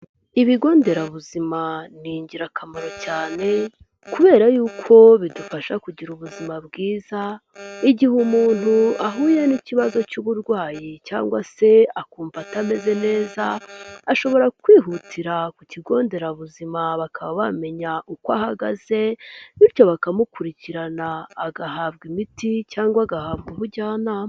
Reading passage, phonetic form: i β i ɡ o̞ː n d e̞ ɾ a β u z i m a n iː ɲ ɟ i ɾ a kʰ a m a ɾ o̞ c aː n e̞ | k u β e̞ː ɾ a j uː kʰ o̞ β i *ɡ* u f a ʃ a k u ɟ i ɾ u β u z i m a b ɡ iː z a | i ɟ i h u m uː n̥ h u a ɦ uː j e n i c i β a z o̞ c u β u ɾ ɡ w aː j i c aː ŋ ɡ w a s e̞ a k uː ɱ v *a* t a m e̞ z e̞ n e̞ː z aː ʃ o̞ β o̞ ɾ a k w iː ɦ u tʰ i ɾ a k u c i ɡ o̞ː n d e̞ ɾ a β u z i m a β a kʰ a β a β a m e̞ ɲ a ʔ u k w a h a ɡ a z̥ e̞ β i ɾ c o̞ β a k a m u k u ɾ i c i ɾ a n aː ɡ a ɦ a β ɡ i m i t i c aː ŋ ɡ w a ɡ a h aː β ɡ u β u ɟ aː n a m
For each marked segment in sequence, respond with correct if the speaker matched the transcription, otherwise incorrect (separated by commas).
incorrect, correct